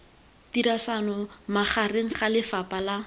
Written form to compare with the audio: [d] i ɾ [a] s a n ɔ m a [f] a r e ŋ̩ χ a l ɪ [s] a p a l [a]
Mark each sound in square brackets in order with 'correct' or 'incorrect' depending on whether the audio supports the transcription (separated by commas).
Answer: incorrect, correct, incorrect, incorrect, correct